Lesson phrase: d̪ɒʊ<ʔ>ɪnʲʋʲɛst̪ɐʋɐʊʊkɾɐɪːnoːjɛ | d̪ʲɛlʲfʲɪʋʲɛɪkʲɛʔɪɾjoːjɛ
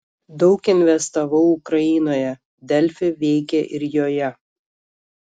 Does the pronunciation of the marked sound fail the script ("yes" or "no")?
yes